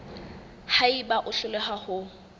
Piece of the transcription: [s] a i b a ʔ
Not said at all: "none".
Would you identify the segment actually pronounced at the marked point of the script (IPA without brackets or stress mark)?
h